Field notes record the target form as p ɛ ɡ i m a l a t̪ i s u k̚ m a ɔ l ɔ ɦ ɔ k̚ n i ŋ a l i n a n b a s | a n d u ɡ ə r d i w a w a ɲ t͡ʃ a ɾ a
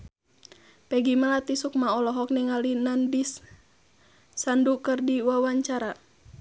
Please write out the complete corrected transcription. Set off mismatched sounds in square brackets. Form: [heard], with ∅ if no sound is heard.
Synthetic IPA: p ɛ ɡ i m a l a t̪ i s u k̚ m a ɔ l ɔ ɦ ɔ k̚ n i ŋ a l i n a n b [i] s | a n d u [k] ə r d i w a w a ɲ t͡ʃ a ɾ a